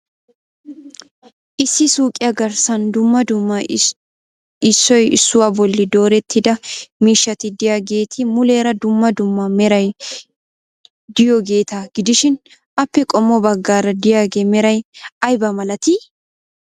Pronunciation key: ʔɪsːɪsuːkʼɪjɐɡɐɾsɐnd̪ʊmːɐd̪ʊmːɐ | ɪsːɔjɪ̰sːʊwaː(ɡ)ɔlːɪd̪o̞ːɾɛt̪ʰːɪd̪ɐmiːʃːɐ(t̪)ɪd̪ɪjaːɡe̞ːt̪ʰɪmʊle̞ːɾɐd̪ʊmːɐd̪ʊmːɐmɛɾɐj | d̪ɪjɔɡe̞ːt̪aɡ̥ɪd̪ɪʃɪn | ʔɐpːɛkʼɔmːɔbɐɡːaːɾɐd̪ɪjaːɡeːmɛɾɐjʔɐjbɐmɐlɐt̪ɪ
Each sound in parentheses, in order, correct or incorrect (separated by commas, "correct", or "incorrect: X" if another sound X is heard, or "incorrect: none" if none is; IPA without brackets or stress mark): incorrect: b, correct